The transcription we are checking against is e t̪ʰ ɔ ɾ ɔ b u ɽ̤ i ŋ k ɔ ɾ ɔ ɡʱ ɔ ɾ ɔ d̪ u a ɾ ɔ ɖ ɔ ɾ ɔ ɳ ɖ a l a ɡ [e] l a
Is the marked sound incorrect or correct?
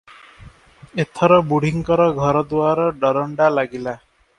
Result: incorrect